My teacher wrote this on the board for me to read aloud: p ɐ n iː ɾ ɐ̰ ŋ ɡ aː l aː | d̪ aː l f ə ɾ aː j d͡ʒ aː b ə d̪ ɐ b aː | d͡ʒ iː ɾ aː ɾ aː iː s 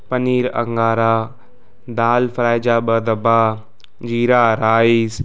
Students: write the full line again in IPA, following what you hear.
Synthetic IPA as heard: p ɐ n iː ɾ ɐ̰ ŋ ɡ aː ɾ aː | d̪ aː l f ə ɾ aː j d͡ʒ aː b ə d̪ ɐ b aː | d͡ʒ iː ɾ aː ɾ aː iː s